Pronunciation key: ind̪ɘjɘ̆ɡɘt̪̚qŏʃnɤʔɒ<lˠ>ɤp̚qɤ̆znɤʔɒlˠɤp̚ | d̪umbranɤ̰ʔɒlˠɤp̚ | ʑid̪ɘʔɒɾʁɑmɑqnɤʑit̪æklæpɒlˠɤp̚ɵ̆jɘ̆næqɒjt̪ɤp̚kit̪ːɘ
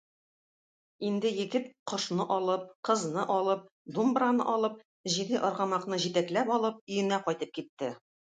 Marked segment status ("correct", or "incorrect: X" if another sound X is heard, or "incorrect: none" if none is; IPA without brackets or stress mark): correct